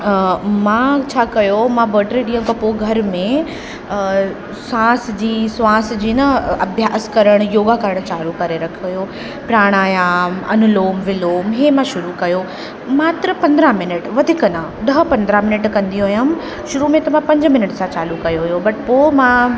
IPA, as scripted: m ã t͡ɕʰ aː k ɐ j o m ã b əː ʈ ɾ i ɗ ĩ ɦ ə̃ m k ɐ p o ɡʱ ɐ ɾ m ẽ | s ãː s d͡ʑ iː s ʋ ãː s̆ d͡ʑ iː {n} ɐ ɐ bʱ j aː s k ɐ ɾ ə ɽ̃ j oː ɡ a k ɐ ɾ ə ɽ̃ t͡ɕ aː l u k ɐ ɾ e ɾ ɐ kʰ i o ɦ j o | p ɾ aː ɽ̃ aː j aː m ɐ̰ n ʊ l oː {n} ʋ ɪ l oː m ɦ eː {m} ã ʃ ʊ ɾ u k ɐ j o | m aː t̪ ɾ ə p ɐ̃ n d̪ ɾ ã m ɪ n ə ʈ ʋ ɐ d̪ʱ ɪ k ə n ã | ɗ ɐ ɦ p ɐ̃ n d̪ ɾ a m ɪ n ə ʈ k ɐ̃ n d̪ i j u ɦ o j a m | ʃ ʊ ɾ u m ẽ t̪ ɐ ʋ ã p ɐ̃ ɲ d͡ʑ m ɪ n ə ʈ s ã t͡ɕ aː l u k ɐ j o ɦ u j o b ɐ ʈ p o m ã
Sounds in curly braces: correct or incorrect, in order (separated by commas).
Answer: correct, incorrect, correct